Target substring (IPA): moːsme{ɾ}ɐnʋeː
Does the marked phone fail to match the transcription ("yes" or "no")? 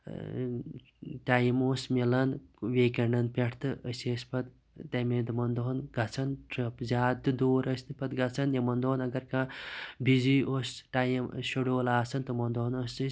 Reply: yes